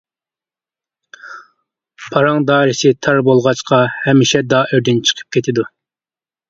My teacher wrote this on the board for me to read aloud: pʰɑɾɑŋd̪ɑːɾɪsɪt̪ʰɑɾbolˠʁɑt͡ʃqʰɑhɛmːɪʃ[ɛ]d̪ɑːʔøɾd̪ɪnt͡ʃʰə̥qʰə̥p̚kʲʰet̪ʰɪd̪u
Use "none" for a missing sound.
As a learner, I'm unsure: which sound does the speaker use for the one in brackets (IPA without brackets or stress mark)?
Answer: ɛ